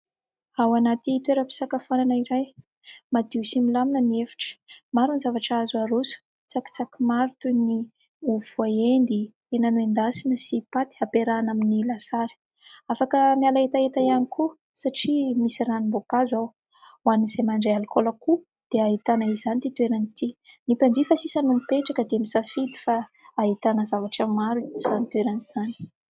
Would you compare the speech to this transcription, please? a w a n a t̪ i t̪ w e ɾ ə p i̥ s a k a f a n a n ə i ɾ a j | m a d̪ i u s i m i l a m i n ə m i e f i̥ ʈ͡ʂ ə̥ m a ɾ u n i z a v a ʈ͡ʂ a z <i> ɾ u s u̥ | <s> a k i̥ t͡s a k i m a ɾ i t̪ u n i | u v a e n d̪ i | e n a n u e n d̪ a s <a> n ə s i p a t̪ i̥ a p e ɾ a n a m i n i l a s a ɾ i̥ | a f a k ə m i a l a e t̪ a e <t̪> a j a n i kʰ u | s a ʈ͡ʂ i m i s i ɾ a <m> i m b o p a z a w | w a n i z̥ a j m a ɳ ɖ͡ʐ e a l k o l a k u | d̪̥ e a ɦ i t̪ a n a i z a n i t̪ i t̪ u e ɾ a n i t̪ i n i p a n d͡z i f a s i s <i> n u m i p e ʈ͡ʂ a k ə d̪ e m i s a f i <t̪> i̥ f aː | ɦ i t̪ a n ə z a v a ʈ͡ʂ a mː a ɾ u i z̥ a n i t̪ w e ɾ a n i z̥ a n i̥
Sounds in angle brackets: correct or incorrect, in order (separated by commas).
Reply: incorrect, incorrect, incorrect, correct, incorrect, incorrect, incorrect